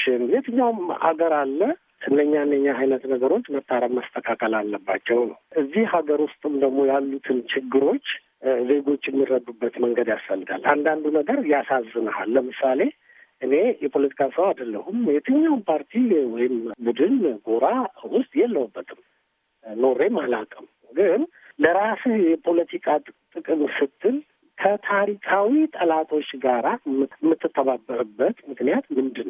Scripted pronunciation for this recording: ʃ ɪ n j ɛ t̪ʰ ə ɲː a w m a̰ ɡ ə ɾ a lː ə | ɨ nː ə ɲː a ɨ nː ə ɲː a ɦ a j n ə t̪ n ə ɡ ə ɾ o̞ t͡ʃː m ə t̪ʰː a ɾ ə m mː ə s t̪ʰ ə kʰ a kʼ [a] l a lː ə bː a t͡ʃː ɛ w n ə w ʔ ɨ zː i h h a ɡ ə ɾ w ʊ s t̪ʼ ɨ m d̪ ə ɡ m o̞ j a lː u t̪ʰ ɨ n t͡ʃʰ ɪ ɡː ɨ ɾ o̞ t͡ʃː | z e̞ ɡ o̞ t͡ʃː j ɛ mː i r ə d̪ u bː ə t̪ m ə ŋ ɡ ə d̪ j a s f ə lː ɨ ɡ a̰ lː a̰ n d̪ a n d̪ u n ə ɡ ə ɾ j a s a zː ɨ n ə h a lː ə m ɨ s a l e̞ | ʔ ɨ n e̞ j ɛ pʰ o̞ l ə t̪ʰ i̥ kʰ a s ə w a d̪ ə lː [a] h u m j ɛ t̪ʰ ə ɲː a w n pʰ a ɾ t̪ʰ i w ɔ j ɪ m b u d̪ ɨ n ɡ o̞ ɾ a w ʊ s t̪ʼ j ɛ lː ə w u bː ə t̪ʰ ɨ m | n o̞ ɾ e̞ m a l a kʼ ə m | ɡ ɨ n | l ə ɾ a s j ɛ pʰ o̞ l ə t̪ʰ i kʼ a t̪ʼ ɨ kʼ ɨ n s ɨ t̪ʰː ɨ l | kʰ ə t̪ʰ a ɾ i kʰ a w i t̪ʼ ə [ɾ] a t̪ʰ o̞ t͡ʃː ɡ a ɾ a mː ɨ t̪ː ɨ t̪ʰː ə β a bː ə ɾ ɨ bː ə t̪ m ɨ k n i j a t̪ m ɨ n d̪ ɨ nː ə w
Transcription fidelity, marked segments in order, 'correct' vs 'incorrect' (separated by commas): incorrect, incorrect, incorrect